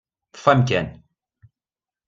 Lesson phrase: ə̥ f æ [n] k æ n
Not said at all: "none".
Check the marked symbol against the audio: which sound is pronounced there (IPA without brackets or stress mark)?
m